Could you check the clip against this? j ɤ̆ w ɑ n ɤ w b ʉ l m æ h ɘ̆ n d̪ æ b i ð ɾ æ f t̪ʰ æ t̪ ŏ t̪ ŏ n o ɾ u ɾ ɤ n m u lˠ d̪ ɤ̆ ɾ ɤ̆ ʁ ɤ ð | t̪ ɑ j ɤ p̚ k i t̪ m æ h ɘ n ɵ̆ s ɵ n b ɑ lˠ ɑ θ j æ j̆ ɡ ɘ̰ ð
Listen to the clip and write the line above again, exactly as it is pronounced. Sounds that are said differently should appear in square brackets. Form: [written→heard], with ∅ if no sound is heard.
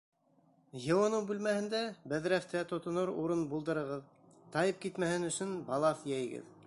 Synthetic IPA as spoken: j ɤ̆ w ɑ n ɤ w b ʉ l m æ h ɘ̆ n d̪ æ b [i→æ] ð ɾ æ f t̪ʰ æ t̪ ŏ t̪ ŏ n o ɾ u ɾ ɤ n [m→b] u lˠ d̪ ɤ̆ ɾ ɤ̆ ʁ ɤ ð | t̪ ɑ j ɤ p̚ k i t̪ m æ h ɘ n ɵ̆ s ɵ n b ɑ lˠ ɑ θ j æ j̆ ɡ ɘ̰ ð